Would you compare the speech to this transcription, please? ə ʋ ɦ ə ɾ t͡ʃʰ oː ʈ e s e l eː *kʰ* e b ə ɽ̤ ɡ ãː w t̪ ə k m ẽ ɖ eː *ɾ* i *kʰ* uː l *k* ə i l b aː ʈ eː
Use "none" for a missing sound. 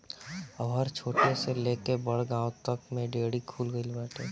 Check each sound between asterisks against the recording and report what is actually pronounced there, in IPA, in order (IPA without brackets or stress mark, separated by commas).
k, ɽ, kʰ, ɡ